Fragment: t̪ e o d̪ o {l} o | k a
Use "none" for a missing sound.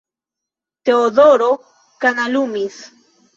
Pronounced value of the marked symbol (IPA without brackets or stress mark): ɾ